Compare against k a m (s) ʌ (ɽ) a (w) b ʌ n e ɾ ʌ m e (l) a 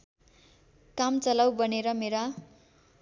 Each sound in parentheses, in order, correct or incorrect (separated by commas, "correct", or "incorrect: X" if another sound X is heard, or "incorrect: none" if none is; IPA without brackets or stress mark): incorrect: t͡s, incorrect: l, correct, incorrect: ɾ